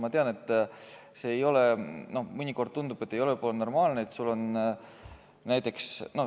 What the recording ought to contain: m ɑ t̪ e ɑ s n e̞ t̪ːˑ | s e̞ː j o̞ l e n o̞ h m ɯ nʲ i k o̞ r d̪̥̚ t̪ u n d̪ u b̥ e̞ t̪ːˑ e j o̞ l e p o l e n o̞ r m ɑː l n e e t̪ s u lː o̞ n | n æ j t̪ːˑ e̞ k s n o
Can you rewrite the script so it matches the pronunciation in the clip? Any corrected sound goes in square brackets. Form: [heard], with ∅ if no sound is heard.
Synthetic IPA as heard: m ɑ t̪ e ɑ [∅] n e̞ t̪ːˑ | s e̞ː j o̞ l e n o̞ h m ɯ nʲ i k o̞ r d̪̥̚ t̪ u n d̪ u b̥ e̞ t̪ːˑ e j o̞ l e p o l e n o̞ r m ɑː l n e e t̪ s u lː o̞ n | n æ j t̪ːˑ e̞ k s n o